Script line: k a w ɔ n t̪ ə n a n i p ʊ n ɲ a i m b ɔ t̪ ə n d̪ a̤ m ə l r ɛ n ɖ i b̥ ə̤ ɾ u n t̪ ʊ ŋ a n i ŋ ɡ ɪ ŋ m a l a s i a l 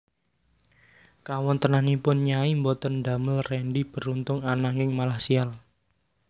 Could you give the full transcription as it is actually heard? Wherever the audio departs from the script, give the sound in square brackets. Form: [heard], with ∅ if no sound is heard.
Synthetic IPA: k a w ɔ n t̪ ə n a n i p ʊ n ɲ a i m b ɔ t̪ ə n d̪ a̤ m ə l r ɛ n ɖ i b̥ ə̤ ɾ u n t̪ ʊ ŋ a n [a] ŋ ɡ ɪ ŋ m a l a s i a l